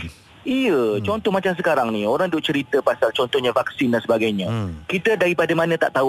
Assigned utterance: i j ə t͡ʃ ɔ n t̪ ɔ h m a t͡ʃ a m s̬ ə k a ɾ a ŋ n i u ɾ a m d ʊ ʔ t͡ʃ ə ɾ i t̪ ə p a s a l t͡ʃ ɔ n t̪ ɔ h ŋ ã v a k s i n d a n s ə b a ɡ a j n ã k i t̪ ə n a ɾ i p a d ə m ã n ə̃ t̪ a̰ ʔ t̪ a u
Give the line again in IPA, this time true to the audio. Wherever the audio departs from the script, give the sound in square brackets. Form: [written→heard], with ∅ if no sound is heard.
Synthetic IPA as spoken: i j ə t͡ʃ ɔ n t̪ ɔ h m a t͡ʃ a m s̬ ə k a ɾ a ŋ n i [u→o] ɾ a [m→ŋ] d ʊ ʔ t͡ʃ ə ɾ i t̪ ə p a s a l t͡ʃ ɔ n t̪ ɔ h [ŋ→ɲ] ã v a k s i n d a n s ə b a ɡ a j [n→ɲ] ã k i t̪ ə [n→d] a ɾ i p a d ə m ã n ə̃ t̪ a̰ ʔ t̪ a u